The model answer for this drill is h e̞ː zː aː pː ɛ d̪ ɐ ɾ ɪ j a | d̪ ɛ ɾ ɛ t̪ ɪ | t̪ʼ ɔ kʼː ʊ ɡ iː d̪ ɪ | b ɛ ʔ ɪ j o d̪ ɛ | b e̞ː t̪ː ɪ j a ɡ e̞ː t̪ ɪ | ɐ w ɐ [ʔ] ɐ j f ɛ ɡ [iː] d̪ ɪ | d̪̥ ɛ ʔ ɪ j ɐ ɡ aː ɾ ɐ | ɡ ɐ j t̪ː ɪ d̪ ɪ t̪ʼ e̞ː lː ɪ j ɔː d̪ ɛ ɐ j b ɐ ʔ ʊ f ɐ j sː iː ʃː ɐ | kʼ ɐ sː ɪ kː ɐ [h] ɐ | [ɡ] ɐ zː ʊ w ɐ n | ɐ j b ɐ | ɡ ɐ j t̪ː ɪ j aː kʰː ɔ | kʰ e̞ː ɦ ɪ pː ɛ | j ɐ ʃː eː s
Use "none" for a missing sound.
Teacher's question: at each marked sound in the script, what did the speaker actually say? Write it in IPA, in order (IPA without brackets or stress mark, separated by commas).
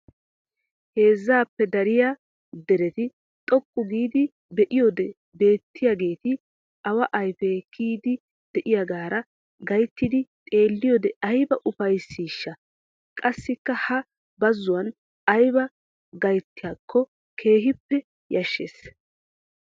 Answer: ʔ, iː, h, b